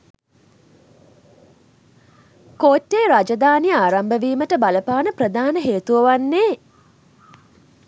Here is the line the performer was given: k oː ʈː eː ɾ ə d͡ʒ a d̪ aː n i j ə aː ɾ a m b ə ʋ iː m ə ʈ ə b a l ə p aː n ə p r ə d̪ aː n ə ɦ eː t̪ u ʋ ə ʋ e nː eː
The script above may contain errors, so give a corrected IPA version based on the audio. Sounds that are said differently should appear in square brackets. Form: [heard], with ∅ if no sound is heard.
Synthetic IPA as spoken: k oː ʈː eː ɾ [a] d͡ʒ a d̪ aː n i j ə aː ɾ a m b ə ʋ iː m ə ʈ ə b a l ə p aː n ə p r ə d̪ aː n ə ɦ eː t̪ u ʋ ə ʋ [a] nː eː

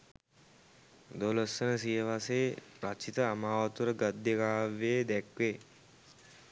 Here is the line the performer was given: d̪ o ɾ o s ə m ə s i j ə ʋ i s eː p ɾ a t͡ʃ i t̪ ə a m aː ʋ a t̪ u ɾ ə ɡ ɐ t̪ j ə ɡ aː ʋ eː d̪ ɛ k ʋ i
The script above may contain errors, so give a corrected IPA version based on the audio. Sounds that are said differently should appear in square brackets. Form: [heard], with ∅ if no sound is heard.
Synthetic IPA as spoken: d̪ o [l] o s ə [n] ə s i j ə ʋ [a] s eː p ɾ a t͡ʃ i t̪ ə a m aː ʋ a t̪ u ɾ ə ɡ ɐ [d̪] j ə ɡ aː ʋ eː d̪ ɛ k ʋ [e]

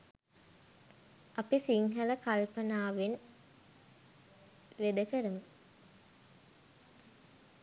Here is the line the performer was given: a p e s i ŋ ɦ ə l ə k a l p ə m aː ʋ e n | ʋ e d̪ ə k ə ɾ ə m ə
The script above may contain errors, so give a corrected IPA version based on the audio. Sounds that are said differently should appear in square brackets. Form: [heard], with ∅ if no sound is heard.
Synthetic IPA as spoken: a p [i] s i ŋ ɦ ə l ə k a l p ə [n] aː ʋ e n | ʋ e d̪ ə k ə ɾ ə m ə

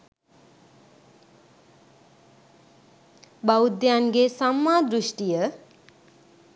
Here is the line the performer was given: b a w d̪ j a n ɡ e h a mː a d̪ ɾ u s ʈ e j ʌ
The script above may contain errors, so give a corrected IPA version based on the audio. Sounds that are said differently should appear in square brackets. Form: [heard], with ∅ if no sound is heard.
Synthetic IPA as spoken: b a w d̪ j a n ɡ e [s] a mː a d̪ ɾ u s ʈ [i] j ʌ

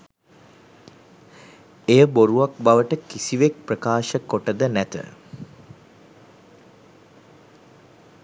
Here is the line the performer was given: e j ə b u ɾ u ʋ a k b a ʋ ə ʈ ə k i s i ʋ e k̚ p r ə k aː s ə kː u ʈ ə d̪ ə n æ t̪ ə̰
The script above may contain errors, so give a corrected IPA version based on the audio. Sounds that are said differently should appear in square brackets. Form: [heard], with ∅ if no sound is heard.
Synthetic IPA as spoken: e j ə b [o] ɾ u ʋ a k b a ʋ ə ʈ ə k i s i ʋ e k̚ p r ə k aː [ʃ] ə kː [o] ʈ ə d̪ ə n æ t̪ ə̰

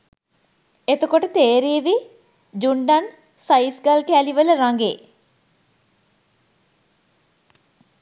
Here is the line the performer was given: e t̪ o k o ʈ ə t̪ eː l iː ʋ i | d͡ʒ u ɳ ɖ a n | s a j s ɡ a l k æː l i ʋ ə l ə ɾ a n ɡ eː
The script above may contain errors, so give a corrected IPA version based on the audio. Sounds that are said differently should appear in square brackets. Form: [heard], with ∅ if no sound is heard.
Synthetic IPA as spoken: e t̪ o k o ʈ ə t̪ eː [ɾ] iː ʋ i | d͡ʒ u ɳ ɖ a n | s a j s ɡ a l k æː l i ʋ ə l ə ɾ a [ŋ] ɡ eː

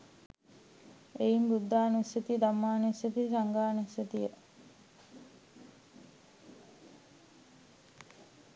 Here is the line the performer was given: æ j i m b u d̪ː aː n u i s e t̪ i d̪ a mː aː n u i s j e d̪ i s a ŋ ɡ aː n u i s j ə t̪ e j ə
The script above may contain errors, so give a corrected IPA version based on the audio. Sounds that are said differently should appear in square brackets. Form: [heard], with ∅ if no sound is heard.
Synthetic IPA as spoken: [e] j i m b u d̪ː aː n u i s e t̪ i d̪ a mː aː n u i s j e [t̪] i s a ŋ ɡ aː n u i s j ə t̪ [i] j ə

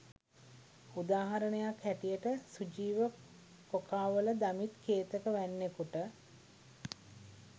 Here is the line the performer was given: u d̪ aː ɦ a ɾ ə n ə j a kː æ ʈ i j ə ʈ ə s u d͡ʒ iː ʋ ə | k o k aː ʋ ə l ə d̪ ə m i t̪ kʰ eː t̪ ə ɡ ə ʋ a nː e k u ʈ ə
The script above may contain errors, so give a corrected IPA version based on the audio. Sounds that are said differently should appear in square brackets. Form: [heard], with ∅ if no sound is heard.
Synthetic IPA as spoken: u d̪ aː ɦ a ɾ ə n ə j a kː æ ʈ i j ə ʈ ə s u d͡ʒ iː ʋ ə | k o k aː ʋ ə l ə d̪ [a] m i t̪ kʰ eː t̪ ə [k] ə ʋ [æ] nː e k u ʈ ə

